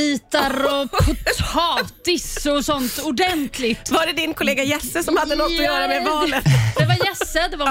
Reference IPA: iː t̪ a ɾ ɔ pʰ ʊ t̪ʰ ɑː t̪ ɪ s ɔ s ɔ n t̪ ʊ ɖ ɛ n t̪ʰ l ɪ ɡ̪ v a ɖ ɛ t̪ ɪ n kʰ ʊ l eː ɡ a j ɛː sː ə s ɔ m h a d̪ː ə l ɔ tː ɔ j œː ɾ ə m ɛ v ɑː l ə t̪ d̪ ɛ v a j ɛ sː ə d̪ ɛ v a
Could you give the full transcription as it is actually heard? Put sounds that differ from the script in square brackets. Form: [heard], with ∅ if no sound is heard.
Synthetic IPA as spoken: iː t̪ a ɾ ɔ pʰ ʊ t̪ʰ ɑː t̪ ɪ s ɔ s ɔ n t̪ ʊ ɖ ɛ n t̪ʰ l ɪ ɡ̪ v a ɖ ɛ [d̪] ɪ n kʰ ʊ l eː ɡ a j [ɛ] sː ə s ɔ m h a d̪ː ə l ɔ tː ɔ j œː ɾ [a] m ɛ v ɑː l ə t̪ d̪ ɛ v a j ɛ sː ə d̪ ɛ v a